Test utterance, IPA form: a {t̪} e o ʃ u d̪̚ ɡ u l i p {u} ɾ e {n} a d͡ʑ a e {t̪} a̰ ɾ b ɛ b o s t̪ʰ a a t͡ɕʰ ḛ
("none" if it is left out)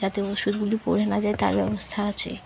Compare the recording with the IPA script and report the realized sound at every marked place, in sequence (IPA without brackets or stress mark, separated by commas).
t̪, o, n, t̪